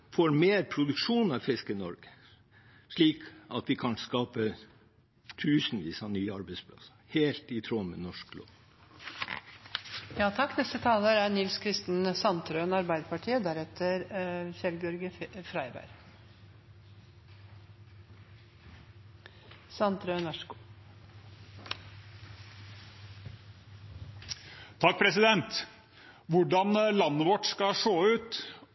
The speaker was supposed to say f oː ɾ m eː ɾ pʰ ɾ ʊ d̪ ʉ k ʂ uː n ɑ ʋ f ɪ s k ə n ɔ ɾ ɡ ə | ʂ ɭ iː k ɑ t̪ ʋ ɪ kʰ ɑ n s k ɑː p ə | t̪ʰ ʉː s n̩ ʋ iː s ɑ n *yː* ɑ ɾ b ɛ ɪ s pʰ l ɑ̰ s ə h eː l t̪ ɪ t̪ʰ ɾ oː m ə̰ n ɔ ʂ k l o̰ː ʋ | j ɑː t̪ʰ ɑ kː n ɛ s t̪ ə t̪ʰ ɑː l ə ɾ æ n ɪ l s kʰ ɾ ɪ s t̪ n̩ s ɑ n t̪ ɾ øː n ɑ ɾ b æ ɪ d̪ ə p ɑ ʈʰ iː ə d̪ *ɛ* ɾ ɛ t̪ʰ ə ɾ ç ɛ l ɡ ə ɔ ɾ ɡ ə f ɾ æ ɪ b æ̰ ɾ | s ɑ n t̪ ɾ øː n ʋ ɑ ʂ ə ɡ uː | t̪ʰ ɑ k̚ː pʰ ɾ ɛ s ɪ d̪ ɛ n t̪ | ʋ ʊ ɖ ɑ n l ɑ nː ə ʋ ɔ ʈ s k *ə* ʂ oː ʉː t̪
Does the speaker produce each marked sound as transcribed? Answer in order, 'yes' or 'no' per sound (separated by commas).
yes, no, no